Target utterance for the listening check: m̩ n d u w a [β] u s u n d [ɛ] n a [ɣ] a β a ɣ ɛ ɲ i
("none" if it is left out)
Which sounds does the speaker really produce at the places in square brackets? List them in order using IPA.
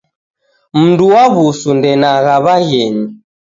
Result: β, ɛ, ɣ

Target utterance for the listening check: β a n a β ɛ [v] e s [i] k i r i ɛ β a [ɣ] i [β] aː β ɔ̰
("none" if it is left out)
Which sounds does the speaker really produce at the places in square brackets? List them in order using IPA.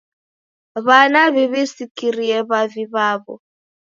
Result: β, i, v, β

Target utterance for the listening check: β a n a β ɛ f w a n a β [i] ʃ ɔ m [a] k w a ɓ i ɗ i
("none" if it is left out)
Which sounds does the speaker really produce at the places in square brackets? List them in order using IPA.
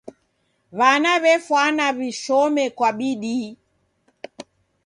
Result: i, ɛ

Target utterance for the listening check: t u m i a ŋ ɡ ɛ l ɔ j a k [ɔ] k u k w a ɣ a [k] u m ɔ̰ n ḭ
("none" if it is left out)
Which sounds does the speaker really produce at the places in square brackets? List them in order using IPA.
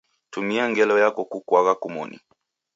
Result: ɔ, k

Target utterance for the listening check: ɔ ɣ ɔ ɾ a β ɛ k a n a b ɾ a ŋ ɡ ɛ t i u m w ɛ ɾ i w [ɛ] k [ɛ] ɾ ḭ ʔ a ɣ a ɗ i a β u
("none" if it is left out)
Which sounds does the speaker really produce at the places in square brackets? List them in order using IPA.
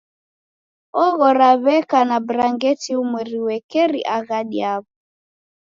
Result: ɛ, ɛ

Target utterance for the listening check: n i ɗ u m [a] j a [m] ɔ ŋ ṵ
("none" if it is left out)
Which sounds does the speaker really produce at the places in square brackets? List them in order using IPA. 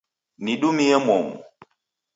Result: i, m

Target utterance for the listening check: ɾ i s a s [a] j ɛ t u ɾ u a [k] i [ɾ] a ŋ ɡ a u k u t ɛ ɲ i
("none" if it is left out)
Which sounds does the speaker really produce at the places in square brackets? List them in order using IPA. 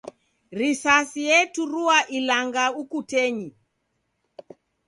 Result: i, ʔ, l

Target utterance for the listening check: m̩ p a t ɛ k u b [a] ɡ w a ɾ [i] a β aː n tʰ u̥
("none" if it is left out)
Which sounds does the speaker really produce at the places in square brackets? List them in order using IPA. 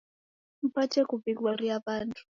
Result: i, i

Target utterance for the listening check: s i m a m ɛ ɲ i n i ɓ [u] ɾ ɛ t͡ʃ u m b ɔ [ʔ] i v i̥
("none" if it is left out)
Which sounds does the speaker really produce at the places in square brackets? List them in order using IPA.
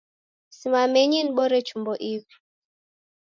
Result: ɔ, ʔ

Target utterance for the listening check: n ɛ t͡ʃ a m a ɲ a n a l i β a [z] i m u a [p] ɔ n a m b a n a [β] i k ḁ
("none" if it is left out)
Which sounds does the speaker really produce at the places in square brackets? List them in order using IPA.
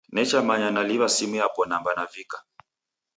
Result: s, p, v

